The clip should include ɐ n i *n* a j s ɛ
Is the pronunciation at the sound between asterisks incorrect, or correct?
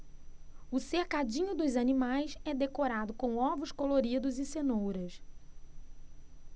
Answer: incorrect